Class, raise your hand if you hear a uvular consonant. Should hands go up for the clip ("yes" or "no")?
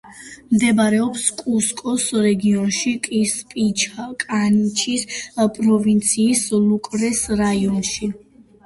no